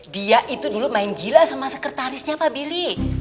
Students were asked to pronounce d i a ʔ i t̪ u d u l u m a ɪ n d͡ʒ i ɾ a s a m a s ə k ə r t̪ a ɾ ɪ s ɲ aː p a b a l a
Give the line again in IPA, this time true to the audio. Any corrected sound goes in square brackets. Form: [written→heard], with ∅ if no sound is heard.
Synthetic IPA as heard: d i a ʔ i t̪ u d u l u m a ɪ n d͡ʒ i [ɾ→l] a s a m a s ə k ə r t̪ a ɾ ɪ s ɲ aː p a b [a→i] l [a→i]